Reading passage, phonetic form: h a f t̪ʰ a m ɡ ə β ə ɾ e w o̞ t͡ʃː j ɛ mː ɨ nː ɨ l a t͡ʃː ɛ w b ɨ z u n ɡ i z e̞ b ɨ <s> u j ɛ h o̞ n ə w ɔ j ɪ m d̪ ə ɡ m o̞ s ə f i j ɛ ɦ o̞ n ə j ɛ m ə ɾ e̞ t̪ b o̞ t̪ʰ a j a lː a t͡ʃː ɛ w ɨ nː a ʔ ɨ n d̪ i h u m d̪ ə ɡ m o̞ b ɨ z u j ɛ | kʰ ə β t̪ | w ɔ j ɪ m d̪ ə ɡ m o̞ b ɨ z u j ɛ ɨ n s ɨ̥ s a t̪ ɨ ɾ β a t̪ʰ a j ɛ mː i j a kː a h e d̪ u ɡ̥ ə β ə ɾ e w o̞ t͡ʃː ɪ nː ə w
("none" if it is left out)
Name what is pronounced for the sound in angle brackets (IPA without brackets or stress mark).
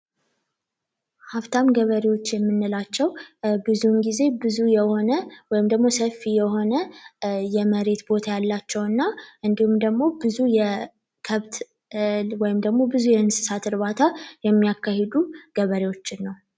z